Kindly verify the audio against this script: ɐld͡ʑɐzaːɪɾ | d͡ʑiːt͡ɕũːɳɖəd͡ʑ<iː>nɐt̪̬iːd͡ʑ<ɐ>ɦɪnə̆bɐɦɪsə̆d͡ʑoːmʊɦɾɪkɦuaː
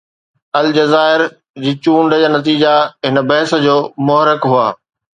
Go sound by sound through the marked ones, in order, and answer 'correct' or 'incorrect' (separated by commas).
incorrect, incorrect